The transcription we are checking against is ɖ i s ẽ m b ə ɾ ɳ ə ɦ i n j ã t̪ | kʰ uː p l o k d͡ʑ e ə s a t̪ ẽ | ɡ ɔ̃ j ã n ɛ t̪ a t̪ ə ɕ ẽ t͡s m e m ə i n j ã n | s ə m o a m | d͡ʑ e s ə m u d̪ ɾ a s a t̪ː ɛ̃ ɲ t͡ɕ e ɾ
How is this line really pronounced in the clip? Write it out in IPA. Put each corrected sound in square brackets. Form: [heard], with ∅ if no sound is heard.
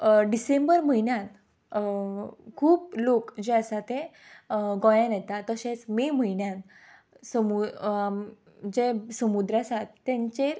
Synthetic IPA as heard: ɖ i s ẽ m b ə ɾ [m] ə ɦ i n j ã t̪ | kʰ uː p l o k d͡ʑ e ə s a t̪ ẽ | ɡ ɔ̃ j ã n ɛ t̪ a t̪ ə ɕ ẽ t͡s m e m ə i n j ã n | s ə m [u] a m | d͡ʑ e s ə m u d̪ ɾ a s a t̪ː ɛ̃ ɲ t͡ɕ e ɾ

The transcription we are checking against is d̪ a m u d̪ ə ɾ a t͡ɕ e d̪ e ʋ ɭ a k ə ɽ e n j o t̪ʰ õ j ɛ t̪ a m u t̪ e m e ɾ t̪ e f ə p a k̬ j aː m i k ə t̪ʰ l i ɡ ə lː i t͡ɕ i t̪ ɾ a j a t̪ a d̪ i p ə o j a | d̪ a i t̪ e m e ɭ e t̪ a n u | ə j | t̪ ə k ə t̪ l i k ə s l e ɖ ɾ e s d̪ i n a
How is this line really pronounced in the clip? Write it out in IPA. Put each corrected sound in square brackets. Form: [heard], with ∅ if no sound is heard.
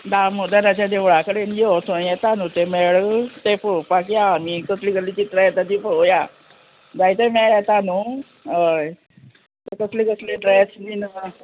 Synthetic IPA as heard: d̪ a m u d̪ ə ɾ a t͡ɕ [a] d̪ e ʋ ɭ a k ə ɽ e n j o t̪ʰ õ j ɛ t̪ a [n] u t̪ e m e [ɭ] t̪ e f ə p a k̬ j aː m i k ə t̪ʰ l i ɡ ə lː i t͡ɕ i t̪ ɾ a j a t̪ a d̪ i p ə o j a | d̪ a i t̪ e m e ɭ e t̪ a n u | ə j | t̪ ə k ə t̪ l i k ə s l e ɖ ɾ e s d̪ i n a

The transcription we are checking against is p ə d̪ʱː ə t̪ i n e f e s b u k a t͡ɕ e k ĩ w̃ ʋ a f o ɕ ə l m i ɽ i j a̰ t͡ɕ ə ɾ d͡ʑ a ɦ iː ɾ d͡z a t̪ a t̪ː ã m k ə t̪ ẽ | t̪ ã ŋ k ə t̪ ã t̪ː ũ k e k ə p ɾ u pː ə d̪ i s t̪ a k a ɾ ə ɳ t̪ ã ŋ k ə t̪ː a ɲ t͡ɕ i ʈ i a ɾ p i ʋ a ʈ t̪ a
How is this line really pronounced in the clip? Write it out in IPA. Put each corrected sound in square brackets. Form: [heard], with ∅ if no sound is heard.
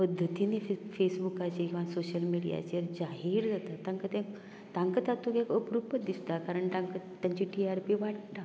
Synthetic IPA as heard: p ə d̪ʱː ə t̪ i n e f e s b u k a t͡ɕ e k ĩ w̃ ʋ a [s] o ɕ ə l m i ɽ i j a̰ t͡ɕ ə ɾ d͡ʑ a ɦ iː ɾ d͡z a t̪ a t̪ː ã [ŋ] k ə t̪ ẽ | t̪ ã ŋ k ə t̪ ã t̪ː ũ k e k ə p ɾ u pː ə d̪ i s t̪ a k a ɾ ə ɳ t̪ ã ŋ k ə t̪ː a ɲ t͡ɕ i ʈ i a ɾ p i ʋ a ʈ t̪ a

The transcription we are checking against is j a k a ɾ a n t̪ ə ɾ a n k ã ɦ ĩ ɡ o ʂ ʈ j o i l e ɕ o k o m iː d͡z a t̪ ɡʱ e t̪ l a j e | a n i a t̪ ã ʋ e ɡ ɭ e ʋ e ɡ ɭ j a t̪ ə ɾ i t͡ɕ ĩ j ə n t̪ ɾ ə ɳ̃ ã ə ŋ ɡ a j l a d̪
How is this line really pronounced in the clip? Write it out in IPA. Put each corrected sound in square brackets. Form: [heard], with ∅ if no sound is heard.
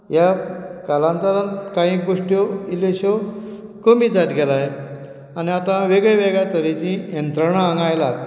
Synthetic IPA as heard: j a k a [l] a n t̪ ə ɾ a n k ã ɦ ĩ ɡ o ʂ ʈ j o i l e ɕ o k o m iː d͡z a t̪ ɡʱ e [∅] l a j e | a n i a t̪ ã ʋ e ɡ ɭ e ʋ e ɡ ɭ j a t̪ ə ɾ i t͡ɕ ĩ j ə n t̪ ɾ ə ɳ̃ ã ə ŋ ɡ a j l a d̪

